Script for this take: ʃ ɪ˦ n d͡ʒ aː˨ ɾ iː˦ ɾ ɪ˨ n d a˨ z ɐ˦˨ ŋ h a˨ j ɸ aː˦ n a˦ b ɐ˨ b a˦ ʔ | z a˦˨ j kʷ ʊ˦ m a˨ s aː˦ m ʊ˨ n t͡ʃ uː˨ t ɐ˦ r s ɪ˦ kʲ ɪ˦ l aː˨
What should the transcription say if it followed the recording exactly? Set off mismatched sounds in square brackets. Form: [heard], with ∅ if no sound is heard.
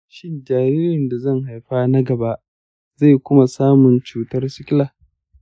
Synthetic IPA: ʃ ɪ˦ n d͡ʒ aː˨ ɾ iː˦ ɾ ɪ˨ n d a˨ z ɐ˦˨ ŋ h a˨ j ɸ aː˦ n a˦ [ɡ] ɐ˨ b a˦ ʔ | z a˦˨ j kʷ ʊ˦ m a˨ s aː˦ m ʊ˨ n t͡ʃ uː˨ t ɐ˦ r s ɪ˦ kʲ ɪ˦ l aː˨